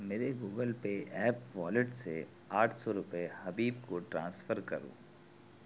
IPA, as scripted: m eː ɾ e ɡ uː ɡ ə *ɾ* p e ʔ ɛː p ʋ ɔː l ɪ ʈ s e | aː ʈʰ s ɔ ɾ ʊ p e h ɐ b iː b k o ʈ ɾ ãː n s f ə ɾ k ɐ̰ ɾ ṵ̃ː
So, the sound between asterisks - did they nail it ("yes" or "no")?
no